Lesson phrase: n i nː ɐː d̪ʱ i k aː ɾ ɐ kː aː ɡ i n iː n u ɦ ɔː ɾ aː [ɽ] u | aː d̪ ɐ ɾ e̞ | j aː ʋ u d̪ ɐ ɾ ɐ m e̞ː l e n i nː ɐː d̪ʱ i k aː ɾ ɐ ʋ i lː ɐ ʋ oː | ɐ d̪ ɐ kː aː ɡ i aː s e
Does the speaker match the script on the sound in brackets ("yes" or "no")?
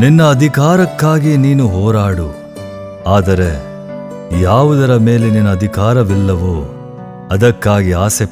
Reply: yes